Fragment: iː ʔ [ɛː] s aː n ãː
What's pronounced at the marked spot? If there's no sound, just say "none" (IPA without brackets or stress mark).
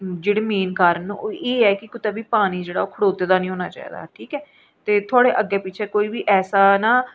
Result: ɛː